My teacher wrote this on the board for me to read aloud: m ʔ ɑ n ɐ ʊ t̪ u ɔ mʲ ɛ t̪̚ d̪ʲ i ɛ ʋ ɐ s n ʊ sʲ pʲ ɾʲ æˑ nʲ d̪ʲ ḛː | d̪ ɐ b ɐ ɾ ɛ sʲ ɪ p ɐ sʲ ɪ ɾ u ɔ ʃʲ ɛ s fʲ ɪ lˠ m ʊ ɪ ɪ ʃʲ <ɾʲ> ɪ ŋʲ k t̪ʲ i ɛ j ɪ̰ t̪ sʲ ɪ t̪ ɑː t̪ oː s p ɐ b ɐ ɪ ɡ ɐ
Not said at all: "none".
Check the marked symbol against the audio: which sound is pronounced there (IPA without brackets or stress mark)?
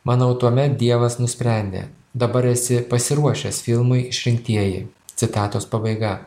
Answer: ɾʲ